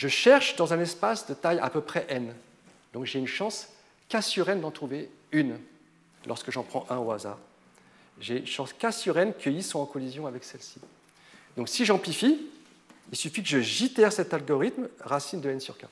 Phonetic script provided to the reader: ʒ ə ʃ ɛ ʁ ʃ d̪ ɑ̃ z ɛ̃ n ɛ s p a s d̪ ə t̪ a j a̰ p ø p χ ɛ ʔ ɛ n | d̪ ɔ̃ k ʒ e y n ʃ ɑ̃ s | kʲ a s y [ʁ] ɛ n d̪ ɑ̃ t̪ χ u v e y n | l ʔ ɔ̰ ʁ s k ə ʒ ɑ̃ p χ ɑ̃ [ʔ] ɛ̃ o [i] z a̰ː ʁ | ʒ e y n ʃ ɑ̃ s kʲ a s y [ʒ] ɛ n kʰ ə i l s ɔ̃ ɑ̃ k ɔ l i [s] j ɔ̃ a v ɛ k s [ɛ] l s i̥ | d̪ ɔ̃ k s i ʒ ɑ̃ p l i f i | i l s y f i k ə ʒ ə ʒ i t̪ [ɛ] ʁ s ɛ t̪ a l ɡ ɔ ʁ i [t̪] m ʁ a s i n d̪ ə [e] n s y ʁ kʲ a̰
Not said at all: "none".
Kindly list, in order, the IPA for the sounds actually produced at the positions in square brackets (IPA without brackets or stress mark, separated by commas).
ʁ, ʔ, a, ʁ, z, ɛ, ɛ, t̪, ɛ